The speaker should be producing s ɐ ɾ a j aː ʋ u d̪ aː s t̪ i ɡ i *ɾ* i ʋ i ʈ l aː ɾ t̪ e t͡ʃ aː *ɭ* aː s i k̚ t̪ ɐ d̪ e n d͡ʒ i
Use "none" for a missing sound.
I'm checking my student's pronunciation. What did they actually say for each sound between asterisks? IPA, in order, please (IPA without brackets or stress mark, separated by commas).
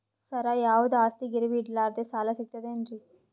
ɾ, l